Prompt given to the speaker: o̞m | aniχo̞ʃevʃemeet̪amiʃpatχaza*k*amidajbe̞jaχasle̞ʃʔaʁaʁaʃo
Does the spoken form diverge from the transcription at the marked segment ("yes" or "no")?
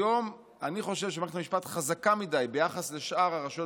no